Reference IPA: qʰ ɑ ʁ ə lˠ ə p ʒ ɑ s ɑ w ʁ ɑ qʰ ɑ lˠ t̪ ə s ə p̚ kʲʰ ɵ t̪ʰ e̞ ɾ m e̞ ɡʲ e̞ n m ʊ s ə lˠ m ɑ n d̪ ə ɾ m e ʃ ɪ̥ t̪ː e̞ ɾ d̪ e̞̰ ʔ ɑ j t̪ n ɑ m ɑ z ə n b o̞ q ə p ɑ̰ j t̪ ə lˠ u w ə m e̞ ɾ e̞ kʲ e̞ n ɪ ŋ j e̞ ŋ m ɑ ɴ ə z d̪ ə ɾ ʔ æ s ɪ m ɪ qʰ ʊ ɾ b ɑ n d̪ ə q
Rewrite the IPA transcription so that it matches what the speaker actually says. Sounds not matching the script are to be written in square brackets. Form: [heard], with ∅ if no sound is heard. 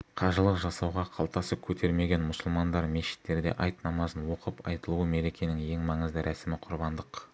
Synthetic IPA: qʰ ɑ [ʒ] ə lˠ ə [q] ʒ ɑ s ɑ w ʁ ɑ qʰ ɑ lˠ t̪ [ɑ] s ə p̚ kʲʰ ɵ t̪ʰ e̞ ɾ m e̞ ɡʲ e̞ n m ʊ s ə lˠ m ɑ n d̪ [ɑ] ɾ m e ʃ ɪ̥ t̪ː e̞ ɾ d̪ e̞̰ ʔ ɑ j t̪ n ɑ m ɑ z ə n [w] o̞ q ə p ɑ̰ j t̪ ə lˠ u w ə m e̞ ɾ e̞ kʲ e̞ n ɪ ŋ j e̞ ŋ m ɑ ɴ ə z d̪ ə ɾ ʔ æ s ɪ m ɪ qʰ ʊ ɾ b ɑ n d̪ ə q